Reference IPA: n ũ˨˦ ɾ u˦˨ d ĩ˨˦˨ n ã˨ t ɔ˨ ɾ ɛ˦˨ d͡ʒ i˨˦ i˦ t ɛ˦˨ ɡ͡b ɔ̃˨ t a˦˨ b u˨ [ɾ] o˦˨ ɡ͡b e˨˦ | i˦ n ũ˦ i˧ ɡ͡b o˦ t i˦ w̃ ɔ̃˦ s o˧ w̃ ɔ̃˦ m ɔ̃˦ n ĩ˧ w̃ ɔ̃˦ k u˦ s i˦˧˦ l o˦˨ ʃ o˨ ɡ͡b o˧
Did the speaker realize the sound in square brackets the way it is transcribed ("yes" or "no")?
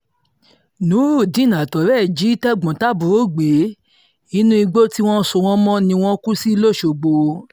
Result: yes